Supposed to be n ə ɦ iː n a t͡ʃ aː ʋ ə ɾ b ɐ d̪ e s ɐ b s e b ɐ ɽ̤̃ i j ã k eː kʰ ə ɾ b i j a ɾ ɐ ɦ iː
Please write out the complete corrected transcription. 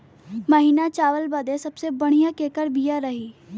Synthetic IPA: m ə ɦ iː n a t͡ʃ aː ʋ ə l b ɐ d̪ e s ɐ b s e b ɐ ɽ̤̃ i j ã k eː k ə ɾ b i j a ɾ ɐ ɦ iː